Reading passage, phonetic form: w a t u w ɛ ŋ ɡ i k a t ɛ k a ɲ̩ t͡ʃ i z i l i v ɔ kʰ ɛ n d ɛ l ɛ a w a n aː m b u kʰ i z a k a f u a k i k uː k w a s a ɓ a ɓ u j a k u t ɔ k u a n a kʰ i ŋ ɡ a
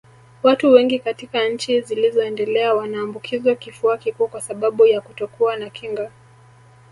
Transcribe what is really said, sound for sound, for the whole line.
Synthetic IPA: w a t u w ɛ ŋ ɡ i k a t i k a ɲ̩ t͡ʃ i z i l i z ɔ ɛ n d ɛ l ɛ a w a n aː m b u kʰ i z a k i f u a k i k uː k w a s a ɓ a ɓ u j a k u t ɔ k u a n a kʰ i ŋ ɡ a